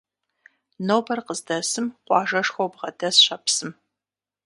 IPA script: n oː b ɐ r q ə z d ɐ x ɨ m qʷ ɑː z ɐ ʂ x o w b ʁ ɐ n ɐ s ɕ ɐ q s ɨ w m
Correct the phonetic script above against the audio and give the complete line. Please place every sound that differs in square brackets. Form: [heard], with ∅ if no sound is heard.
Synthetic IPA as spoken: n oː b ɐ r q ə z d ɐ [s] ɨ m qʷ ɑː [ʒ] ɐ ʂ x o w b ʁ ɐ [d] ɐ s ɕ ɐ [p] s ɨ [∅] m